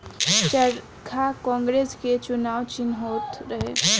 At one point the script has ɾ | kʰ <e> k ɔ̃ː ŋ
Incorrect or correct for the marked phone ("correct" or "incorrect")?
incorrect